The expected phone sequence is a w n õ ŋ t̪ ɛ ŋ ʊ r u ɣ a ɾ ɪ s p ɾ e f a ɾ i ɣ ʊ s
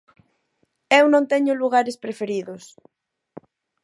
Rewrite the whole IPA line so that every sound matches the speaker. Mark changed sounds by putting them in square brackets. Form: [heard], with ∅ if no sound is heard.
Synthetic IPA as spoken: [e] w n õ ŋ t̪ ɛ [ɲ] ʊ [l] u ɣ a ɾ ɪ s p ɾ e f [e] ɾ i [ð] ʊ s